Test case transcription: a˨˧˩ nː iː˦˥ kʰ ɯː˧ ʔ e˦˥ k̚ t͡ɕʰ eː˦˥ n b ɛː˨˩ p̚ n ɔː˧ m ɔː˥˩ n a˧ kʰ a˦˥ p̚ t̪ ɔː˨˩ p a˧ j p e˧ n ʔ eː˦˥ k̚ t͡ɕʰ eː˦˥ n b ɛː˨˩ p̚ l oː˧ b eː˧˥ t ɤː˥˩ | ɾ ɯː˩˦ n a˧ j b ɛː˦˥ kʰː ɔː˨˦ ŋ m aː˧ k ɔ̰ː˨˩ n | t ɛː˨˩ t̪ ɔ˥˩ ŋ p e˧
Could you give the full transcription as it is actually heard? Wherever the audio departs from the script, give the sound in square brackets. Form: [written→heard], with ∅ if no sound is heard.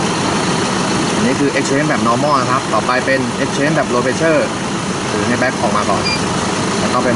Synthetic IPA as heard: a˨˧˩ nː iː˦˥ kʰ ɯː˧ ʔ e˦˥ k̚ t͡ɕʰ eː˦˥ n b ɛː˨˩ p̚ n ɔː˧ m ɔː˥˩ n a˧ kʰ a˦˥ p̚ t̪ ɔː˨˩ p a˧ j p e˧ n ʔ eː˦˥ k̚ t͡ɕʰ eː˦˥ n b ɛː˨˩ p̚ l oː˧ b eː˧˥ [t→t͡ɕʰ] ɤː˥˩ | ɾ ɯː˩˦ n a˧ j b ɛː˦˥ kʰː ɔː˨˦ ŋ m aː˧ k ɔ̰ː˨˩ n | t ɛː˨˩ t̪ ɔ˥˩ ŋ p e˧